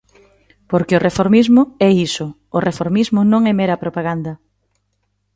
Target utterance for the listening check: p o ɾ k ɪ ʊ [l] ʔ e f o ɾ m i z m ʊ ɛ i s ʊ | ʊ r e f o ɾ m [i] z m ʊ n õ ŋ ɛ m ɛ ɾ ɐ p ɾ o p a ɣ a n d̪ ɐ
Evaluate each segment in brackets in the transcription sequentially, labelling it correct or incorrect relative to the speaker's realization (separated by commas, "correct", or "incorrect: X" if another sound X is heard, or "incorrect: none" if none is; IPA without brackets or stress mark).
incorrect: r, correct